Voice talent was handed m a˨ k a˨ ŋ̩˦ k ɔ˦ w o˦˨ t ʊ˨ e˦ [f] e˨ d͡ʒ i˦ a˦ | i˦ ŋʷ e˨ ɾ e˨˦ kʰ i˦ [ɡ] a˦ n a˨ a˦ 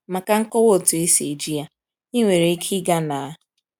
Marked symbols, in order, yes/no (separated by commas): no, yes